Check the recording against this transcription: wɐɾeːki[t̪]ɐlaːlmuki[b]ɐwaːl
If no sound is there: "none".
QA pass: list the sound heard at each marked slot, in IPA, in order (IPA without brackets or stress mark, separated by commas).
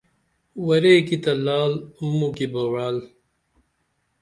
t̪, b